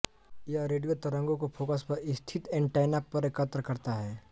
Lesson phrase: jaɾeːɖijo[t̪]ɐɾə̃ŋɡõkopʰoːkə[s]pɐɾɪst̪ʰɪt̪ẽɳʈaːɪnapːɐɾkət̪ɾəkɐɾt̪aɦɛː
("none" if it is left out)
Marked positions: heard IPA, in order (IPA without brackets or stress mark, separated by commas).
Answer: t̪, s